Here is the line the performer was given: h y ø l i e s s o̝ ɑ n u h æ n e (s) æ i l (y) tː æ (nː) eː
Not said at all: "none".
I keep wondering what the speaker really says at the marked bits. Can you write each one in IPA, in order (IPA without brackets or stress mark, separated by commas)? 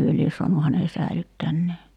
s, y, nː